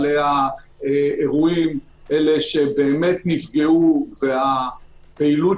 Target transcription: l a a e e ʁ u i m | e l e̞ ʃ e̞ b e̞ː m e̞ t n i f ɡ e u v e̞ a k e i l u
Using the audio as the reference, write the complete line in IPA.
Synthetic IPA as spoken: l e a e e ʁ u i m | e l e̞ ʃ e̞ b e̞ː m e̞ t n i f ɡ e u v e̞ a p e i l u